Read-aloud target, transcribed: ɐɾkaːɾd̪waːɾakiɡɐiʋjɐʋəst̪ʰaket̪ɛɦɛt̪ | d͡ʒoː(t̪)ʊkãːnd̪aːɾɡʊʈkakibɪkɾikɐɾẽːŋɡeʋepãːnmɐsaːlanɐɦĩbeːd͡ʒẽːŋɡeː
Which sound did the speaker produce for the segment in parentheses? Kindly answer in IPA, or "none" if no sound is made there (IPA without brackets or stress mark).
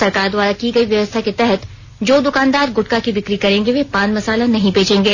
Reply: d̪